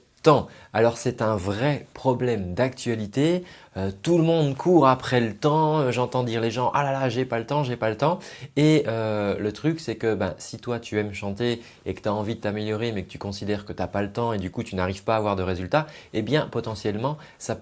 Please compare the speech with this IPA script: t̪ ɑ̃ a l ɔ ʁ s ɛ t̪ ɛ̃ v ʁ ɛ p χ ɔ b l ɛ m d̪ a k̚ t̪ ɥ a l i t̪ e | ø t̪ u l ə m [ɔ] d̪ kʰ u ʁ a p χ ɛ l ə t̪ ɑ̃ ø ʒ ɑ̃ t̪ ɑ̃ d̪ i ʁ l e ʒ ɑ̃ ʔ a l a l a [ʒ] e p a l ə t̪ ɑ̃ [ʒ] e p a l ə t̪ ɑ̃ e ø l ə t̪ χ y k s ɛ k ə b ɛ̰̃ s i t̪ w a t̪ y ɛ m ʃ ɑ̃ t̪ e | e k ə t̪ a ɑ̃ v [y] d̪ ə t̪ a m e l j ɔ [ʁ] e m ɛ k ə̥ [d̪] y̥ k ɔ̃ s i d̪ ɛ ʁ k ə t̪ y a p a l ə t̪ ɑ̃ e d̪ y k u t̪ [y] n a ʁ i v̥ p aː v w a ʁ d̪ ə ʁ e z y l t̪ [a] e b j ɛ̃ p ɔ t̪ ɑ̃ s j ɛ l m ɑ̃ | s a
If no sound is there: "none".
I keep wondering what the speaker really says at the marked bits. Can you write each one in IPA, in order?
ɔ̃, ʒ, ʒ, i, ʁ, t̪, y, a

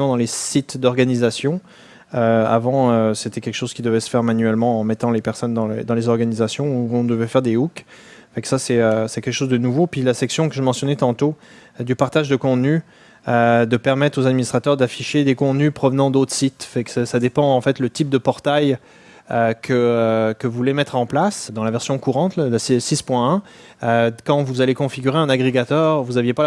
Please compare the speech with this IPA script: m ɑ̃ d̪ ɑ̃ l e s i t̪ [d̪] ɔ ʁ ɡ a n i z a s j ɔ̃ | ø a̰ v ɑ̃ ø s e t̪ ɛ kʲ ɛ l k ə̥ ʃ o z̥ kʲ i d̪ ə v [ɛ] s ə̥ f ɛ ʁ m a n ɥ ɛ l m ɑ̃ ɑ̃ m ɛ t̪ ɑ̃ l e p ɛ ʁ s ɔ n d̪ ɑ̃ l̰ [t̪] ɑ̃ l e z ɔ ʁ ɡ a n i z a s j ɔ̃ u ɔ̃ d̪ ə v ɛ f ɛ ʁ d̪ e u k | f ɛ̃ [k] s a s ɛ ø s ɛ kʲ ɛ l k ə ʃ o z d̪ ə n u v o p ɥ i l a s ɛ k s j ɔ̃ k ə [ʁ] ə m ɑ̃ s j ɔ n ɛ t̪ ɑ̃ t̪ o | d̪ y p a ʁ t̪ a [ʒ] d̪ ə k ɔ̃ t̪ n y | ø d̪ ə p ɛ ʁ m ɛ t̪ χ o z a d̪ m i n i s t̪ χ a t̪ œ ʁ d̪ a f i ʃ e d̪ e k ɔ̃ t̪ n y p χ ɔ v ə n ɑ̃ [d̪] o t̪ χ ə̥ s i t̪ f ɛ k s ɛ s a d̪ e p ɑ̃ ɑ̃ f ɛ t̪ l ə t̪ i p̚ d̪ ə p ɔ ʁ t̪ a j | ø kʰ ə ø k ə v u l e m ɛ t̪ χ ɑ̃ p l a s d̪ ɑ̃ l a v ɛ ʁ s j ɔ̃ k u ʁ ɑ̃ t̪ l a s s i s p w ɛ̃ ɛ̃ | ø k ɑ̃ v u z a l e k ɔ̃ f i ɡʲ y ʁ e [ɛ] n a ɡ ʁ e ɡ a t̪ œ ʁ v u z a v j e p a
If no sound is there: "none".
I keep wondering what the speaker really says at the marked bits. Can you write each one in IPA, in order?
d̪, ɛ, d̪, k, ʒ, ʒ, d̪, ɛ̃

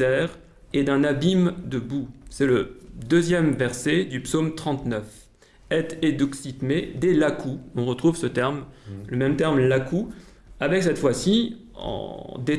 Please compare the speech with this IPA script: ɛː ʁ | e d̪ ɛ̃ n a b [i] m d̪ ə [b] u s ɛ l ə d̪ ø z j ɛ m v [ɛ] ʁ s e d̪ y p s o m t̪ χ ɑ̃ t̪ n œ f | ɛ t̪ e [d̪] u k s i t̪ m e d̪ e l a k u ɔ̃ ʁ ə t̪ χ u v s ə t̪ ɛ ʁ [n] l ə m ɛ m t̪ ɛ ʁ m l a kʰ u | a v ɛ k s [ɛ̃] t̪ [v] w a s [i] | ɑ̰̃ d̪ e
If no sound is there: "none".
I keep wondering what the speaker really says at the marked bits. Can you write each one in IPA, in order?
i, b, ɛ, d̪, m, ɛ, f, i

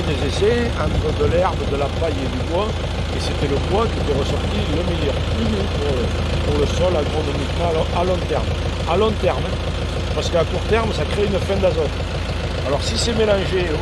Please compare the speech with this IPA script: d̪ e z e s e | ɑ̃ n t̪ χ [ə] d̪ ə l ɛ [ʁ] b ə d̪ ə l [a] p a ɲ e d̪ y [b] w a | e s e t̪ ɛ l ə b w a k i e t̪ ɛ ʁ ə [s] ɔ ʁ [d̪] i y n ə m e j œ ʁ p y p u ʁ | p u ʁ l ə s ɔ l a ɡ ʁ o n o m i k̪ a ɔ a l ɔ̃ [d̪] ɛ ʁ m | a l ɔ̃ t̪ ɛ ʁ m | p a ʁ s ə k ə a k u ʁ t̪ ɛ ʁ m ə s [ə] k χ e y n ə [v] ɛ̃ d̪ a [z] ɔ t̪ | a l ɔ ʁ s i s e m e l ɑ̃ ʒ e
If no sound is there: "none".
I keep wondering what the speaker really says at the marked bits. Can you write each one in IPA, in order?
ə, ʁ, a, b, s, t̪, t̪, a, f, z

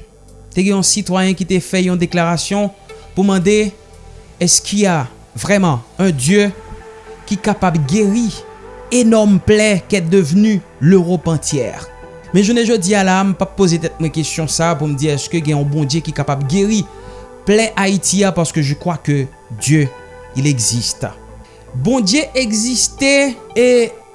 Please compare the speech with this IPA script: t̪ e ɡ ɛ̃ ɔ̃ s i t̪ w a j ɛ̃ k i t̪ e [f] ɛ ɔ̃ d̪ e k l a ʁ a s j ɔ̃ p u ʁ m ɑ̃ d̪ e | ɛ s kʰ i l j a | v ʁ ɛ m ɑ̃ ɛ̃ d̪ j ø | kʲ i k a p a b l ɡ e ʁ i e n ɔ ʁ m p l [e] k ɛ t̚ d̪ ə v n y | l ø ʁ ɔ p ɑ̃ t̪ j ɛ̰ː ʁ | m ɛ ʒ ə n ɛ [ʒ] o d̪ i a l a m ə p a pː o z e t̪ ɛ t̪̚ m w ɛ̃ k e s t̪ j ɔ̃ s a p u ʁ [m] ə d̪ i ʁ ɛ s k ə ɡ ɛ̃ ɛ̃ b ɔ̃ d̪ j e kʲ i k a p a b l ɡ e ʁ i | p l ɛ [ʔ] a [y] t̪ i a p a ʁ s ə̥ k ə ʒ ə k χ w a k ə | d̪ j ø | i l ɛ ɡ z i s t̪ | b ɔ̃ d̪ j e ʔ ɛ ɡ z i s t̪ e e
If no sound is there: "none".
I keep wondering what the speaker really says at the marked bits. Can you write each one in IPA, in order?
f, ɛ, ʒ, m, ʔ, i

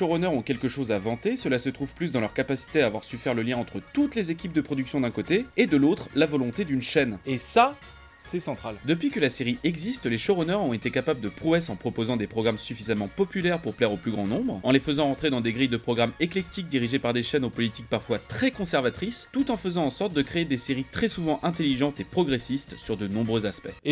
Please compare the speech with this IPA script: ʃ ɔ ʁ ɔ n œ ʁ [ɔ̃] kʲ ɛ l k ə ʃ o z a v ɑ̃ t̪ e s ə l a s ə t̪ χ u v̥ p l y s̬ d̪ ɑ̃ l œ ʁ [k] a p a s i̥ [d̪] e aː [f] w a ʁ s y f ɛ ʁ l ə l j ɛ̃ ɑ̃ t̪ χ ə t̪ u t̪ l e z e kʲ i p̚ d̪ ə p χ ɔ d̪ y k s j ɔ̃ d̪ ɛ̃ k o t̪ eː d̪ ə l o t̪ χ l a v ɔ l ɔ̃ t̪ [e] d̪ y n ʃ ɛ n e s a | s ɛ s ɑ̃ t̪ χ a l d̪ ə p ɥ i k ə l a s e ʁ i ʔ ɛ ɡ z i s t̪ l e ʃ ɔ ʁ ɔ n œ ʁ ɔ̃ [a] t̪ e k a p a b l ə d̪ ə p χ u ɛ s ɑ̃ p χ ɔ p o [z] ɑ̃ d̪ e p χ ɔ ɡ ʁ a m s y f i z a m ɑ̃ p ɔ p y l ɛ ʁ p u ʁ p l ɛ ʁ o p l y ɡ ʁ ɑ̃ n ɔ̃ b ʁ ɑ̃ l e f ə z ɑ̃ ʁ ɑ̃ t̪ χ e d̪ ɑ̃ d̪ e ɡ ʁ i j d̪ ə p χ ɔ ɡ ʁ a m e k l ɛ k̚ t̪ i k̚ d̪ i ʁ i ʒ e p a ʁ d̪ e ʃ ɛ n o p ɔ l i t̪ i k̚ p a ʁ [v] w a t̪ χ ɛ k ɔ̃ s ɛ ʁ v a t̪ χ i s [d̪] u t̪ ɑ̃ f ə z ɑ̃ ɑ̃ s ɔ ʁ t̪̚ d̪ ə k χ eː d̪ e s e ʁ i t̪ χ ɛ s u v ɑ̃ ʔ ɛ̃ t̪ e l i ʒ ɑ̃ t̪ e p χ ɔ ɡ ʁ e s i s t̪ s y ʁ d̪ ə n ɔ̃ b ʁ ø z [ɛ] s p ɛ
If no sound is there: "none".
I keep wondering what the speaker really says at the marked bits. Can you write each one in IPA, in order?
ɔ̃, k, t̪, v, e, e, z, f, t̪, a

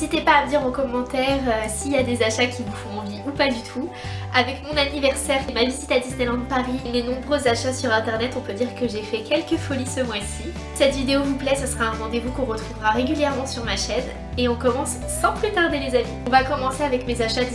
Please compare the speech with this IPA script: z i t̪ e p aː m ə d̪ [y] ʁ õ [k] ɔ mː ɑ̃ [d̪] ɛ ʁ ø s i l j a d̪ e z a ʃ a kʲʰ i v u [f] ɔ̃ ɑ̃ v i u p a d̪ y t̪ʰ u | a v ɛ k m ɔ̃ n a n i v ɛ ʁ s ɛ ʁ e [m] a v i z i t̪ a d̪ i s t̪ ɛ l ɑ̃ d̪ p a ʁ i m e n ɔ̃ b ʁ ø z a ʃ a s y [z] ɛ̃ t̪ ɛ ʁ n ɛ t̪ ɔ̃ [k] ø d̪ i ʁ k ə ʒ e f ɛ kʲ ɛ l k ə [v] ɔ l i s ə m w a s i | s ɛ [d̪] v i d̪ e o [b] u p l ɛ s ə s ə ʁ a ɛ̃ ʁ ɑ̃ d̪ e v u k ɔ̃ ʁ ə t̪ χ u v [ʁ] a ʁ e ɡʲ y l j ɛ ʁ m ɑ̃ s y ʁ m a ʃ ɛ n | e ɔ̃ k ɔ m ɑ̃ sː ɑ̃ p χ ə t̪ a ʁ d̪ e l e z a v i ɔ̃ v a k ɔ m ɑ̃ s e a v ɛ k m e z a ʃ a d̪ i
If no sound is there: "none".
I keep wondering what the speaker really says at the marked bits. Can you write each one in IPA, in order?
i, k, t̪, f, m, ʁ, p, f, t̪, v, ʁ

